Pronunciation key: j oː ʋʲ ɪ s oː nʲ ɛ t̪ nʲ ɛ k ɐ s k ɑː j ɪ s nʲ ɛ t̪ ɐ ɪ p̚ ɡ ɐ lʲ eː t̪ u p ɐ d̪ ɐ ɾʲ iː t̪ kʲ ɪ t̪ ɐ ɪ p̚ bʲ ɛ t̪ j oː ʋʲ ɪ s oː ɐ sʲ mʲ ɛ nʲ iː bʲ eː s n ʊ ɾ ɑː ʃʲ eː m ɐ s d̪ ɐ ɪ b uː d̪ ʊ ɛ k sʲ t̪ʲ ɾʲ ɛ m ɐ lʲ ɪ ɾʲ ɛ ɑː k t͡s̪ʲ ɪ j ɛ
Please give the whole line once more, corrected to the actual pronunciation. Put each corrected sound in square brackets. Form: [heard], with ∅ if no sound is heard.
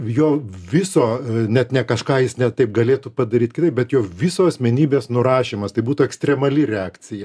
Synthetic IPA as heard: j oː ʋʲ ɪ s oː nʲ ɛ t̪ nʲ ɛ k ɐ [ʃ] k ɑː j ɪ s nʲ ɛ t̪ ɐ ɪ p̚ ɡ ɐ lʲ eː t̪ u p ɐ d̪ ɐ ɾʲ iː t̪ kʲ ɪ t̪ ɐ ɪ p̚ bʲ ɛ t̪ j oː ʋʲ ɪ s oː ɐ sʲ mʲ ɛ nʲ iː bʲ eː s n ʊ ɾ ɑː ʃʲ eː m ɐ s [t̪] ɐ ɪ b uː [t̪] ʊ ɛ k sʲ t̪ʲ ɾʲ ɛ m ɐ lʲ ɪ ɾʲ ɛ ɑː k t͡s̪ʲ ɪ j ɛ